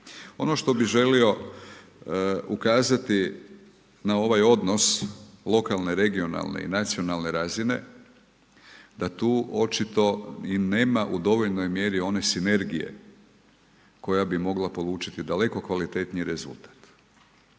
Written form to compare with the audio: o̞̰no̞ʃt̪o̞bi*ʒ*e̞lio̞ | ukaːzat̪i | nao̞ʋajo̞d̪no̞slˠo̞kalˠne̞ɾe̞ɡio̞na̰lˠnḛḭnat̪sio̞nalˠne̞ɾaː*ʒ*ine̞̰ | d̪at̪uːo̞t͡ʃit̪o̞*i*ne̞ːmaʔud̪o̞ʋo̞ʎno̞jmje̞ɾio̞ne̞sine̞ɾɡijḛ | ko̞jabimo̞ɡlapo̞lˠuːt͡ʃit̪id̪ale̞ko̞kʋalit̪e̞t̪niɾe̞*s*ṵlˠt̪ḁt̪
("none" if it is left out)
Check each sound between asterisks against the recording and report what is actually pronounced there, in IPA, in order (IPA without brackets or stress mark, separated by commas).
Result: ʒ, z, i, z